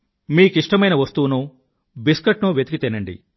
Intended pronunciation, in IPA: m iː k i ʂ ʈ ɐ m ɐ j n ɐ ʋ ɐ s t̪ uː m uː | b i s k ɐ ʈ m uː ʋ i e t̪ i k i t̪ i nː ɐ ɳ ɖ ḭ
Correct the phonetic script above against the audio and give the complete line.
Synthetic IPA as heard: m iː k i ʂ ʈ ɐ m ɐ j n ɐ ʋ ɐ s t̪ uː n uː | b i s k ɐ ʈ n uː ʋ j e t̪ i k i t̪ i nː ɐ ɳ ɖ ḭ